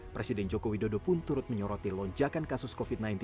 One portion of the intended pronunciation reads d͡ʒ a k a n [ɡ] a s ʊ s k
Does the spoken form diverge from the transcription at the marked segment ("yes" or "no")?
yes